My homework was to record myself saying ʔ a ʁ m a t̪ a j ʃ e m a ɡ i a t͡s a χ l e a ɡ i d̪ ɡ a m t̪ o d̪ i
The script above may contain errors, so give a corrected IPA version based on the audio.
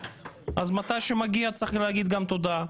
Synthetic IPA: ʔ a z m a t̪ a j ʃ e m a ɡ i a t͡s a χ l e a ɡ i d̪ ɡ a m t̪ o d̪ a

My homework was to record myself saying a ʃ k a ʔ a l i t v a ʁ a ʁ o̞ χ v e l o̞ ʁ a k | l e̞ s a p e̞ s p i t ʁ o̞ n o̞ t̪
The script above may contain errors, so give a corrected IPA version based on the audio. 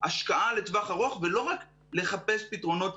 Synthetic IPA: a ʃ k a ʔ a l e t v a χ a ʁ o̞ χ v e l o̞ ʁ a k | l e̞ χ a p e̞ s p i t ʁ o̞ n o̞ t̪

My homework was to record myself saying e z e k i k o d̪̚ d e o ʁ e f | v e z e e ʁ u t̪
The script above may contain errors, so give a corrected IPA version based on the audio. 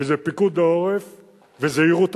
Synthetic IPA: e z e p i k u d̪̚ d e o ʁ e f | v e z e i ʁ u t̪

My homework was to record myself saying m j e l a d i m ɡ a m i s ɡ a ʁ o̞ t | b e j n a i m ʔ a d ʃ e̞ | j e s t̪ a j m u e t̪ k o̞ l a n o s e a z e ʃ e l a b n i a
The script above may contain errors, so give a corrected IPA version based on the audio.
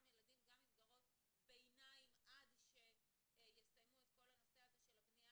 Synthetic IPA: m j e l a d i m ɡ a m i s ɡ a ʁ o̞ t | b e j n a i m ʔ a d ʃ e̞ | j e s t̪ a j m u e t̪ k o̞ l a n o s e a z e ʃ e l a b n i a

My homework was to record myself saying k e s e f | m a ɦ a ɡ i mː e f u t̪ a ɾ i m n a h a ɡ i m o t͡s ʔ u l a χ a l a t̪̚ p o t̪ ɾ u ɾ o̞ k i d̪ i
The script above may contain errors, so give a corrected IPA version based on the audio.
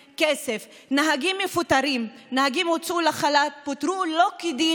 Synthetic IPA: k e s e f | n a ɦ a ɡ i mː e f u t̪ a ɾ i m n a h a ɡ i m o t͡s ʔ u l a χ a l a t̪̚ p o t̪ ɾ u l o̞ k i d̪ i

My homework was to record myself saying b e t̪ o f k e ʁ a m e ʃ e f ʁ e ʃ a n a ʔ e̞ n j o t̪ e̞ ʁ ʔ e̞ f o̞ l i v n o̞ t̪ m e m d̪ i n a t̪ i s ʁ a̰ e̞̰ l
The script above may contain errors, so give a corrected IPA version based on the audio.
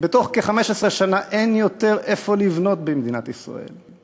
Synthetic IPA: b e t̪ o χ k e χ a m e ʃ e s ʁ e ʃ a n a ʔ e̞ n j o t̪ e̞ ʁ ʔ e̞ f o̞ l i v n o̞ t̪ b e m d̪ i n a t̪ i s ʁ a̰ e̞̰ l

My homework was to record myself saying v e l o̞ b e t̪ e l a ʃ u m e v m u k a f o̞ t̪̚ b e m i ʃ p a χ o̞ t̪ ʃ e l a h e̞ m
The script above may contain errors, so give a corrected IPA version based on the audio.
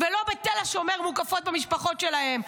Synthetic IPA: v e l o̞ b e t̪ e l a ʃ o m e ʁ m u k a f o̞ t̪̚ b e m i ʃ p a χ o̞ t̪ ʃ e l a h e̞ m

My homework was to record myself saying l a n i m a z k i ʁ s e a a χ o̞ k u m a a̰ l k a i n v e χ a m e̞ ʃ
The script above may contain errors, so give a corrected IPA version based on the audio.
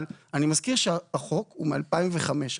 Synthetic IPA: l a n i m a z k i ʁ ʃ e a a χ o̞ k u m e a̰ l p a i m v e χ a m e̞ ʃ

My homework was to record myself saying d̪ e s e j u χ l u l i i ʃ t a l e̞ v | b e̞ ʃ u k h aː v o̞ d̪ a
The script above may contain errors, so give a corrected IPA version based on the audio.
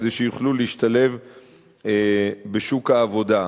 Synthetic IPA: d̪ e ʃ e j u χ l u l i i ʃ t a l e̞ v | b e̞ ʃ u k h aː v o̞ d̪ a

